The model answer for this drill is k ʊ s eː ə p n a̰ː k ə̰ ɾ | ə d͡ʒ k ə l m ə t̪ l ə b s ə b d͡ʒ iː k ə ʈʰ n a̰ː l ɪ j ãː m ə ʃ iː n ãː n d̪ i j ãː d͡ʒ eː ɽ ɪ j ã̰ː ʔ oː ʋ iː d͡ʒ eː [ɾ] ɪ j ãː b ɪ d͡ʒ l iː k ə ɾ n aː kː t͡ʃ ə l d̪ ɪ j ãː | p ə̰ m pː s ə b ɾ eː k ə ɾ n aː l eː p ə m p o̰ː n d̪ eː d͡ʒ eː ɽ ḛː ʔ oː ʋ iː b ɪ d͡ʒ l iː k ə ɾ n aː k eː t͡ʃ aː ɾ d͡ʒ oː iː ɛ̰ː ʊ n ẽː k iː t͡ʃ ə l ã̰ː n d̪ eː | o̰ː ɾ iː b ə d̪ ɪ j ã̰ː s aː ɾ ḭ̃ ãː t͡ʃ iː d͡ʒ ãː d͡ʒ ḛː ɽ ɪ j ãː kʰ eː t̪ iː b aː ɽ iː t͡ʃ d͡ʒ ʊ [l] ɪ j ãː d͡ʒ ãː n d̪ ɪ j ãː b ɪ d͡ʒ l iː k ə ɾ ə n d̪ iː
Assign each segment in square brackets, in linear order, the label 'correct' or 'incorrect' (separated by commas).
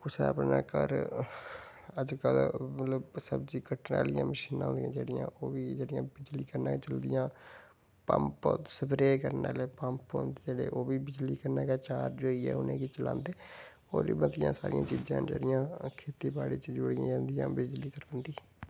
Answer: incorrect, incorrect